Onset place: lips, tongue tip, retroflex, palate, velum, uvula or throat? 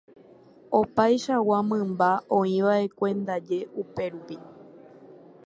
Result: lips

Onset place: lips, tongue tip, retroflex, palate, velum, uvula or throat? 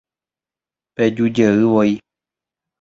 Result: lips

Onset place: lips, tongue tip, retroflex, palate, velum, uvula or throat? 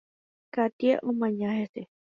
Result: velum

